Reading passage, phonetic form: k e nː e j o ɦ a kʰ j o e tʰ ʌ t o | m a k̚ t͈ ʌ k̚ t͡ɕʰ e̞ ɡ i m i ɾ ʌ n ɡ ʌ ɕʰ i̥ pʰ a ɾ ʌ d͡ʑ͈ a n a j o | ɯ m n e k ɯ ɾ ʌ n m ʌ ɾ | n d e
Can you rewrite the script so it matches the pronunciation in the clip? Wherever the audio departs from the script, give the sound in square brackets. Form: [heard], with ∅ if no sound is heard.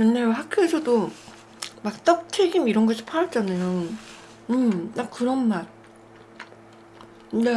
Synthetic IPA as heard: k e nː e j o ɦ a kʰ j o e [sʰ] ʌ [d] o | m a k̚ t͈ ʌ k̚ t͡ɕʰ e̞ ɡ i m i ɾ ʌ n ɡ ʌ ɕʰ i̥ pʰ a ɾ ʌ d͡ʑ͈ a n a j o | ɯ m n [a] k ɯ ɾ ʌ n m [a] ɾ | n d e